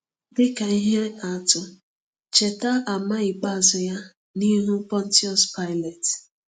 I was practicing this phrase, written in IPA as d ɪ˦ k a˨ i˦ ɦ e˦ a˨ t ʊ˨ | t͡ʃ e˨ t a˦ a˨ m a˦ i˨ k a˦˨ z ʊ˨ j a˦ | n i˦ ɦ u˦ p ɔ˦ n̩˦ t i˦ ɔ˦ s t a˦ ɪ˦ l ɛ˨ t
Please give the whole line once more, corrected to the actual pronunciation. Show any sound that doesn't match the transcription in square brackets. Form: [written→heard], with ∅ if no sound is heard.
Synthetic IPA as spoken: d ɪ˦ k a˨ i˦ ɦ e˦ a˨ t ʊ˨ | t͡ʃ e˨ t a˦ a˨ m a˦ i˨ [k→k͡p] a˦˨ z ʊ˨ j a˦ | n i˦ ɦ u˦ p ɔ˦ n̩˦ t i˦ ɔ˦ s [t→p] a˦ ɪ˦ l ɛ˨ t